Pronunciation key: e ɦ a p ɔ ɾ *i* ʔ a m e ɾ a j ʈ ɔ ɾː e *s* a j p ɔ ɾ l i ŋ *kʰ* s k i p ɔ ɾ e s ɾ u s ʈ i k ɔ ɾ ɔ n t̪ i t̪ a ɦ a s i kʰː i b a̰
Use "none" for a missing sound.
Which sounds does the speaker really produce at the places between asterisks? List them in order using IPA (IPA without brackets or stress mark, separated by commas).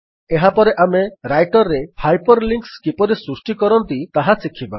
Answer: e, h, k